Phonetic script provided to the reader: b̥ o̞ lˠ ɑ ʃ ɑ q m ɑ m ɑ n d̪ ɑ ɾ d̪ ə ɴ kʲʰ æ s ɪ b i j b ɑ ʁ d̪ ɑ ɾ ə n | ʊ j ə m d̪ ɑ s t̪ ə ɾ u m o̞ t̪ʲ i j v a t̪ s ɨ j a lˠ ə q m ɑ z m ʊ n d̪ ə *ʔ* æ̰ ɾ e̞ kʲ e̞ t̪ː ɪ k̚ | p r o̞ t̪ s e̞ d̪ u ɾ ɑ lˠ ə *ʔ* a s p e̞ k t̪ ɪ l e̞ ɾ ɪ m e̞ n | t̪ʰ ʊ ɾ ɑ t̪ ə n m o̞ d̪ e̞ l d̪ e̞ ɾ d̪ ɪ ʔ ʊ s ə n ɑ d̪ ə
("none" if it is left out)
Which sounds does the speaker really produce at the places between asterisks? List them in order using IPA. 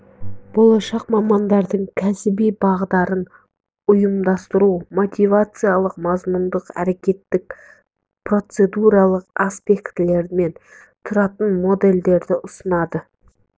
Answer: q, q

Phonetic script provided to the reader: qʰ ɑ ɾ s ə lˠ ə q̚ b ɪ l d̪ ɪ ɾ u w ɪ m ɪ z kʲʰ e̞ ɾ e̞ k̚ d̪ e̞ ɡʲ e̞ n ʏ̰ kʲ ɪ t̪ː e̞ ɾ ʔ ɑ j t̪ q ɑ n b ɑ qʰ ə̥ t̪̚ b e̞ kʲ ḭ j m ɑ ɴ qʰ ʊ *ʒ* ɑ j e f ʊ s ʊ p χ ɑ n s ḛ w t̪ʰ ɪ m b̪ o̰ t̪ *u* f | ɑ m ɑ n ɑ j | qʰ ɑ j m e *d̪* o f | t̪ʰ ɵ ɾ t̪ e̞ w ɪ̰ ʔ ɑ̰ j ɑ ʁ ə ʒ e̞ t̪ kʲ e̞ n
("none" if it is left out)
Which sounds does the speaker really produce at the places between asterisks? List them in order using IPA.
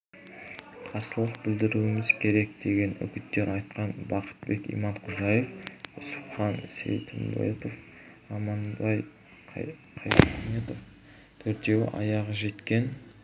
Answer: ʒ, o, t̪

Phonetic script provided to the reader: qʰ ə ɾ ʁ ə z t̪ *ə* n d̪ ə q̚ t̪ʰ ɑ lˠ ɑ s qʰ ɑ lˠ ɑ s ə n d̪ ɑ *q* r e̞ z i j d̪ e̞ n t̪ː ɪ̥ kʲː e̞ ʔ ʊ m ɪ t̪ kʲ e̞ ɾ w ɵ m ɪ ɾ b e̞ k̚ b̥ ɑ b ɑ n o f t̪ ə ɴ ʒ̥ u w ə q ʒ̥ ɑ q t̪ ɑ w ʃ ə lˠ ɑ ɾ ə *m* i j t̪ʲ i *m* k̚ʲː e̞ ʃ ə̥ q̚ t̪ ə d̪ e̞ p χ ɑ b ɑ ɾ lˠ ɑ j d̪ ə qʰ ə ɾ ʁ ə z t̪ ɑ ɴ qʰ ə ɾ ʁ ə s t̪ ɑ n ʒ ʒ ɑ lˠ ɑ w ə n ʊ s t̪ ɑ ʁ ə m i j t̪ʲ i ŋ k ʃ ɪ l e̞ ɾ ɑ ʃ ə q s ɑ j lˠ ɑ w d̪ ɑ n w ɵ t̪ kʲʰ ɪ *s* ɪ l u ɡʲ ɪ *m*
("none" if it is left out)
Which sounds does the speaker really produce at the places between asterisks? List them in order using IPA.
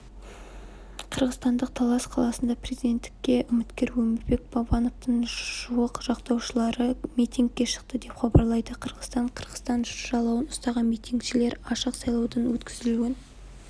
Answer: ɑ, p, m, ŋ, z, n

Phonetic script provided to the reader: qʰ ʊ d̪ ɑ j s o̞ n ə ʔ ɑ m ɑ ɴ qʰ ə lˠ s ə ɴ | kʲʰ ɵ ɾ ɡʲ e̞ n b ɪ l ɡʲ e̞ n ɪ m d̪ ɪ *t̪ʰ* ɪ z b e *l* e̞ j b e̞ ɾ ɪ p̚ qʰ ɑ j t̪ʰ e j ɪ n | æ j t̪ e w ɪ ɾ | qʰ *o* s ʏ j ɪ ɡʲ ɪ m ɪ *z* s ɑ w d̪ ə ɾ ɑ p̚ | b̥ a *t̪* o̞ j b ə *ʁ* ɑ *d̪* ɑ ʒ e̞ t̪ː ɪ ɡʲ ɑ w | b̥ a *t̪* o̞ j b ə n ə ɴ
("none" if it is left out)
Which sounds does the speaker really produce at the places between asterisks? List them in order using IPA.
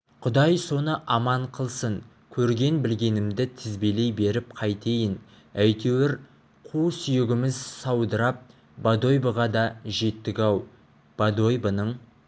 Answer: t̪ʰ, l, u, z, d̪, ʁ, d̪, d̪

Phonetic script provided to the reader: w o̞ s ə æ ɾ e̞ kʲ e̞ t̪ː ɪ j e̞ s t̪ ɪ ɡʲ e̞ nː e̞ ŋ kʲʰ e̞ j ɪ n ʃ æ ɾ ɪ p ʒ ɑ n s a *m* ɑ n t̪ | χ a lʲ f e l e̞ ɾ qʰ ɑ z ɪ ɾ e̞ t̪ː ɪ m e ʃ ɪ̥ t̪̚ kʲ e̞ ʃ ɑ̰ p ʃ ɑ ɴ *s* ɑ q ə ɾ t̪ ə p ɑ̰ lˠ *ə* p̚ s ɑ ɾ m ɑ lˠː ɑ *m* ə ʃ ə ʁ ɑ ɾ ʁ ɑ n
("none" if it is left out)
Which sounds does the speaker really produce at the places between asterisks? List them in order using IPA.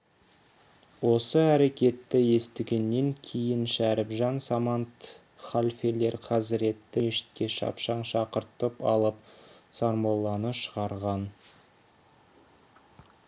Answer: m, ʃ, ə, n

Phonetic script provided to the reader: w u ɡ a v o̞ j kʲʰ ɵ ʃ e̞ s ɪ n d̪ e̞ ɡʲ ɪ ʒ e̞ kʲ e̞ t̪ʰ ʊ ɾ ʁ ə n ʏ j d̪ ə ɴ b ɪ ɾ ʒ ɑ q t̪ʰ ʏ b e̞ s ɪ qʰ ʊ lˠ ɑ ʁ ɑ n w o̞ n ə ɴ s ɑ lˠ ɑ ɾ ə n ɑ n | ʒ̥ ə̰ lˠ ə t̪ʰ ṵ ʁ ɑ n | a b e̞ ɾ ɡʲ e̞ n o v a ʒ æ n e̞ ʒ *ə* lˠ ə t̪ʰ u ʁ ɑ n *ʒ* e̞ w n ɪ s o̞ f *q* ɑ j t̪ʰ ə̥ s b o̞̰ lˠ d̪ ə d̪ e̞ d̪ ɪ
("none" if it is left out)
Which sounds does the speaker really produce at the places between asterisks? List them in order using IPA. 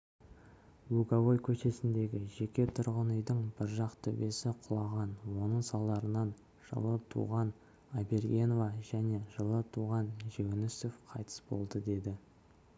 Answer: ə, ʒ, qʰ

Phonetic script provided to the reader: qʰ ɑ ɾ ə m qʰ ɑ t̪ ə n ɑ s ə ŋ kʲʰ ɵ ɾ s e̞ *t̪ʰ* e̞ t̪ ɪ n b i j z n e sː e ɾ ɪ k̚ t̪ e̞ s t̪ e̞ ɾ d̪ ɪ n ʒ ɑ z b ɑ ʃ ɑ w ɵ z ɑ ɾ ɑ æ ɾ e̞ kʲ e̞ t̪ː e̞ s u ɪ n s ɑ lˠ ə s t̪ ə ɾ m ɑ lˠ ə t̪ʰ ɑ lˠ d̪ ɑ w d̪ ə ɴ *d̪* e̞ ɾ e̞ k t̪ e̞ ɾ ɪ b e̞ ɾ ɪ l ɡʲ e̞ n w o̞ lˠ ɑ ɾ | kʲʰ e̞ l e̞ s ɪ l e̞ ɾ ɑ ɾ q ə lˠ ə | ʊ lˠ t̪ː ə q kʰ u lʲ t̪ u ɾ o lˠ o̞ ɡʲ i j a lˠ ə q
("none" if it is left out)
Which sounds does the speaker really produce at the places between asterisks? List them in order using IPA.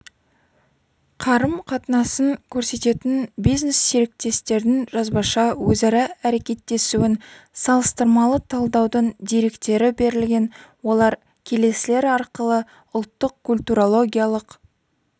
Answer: t̪, d̪

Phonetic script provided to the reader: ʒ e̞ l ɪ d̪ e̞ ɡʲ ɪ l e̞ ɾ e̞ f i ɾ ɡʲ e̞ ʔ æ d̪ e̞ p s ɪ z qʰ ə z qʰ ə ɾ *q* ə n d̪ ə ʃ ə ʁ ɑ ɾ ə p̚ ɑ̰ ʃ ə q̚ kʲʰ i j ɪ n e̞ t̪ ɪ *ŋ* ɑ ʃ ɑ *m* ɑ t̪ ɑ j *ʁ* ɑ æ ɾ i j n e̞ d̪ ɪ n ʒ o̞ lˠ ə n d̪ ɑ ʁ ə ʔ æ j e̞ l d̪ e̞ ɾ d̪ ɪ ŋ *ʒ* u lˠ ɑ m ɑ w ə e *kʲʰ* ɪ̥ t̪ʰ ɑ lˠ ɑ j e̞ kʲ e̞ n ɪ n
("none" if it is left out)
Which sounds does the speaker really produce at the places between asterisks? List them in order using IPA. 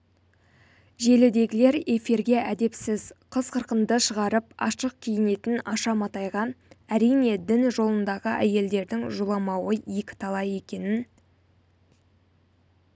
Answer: q, n, m, ʁ, ʒ, kʲ

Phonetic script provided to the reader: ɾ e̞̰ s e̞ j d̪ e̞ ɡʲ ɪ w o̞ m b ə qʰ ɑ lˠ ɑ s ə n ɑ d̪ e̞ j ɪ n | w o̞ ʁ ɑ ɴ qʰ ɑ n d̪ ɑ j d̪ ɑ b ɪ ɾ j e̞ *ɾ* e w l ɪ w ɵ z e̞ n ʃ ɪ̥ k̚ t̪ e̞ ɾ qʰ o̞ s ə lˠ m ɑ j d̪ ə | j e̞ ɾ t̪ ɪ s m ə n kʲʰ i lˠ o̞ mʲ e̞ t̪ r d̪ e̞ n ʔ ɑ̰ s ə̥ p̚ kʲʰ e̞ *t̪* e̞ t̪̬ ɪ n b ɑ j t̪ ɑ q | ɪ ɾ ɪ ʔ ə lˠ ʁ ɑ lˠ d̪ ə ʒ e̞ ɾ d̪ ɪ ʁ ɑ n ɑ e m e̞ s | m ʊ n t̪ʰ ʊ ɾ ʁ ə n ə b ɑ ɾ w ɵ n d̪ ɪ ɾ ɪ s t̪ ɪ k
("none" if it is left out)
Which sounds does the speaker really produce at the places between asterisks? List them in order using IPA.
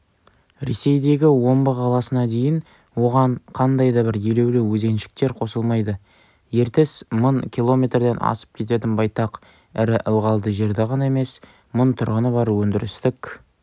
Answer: l, t̪

